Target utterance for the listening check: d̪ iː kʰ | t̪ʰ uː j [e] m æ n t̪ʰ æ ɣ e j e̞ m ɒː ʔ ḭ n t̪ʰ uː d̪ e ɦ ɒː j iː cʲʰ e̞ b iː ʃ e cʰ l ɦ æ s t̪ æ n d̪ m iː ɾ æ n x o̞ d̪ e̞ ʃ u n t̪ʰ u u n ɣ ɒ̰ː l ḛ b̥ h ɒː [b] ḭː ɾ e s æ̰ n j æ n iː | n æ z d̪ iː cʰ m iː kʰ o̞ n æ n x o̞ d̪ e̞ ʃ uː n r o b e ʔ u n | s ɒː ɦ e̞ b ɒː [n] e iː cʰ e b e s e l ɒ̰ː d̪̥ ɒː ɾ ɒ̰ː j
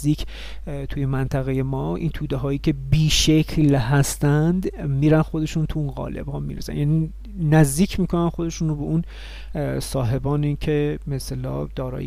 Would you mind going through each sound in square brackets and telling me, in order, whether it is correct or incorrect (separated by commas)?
correct, incorrect, correct